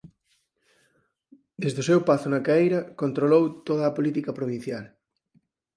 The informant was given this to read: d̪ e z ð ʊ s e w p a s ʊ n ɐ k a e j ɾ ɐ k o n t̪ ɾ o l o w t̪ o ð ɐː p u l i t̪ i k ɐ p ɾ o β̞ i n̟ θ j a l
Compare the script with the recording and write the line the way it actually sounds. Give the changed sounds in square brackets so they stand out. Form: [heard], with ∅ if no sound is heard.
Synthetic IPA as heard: d̪ e z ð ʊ s e w p a [θ] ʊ n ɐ k a e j ɾ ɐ k o n t̪ ɾ o l o w t̪ o ð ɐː p [o] l i t̪ i k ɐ p ɾ o β̞ i n̟ θ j a l

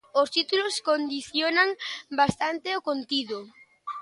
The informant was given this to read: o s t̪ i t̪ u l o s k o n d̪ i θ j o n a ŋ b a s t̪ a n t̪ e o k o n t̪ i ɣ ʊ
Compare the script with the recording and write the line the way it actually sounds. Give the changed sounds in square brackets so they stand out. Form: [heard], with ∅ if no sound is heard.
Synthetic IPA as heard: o s t̪ i t̪ u l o s k o n d̪ i θ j o n a ŋ b a s t̪ a n t̪ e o k o n t̪ i [ð] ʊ

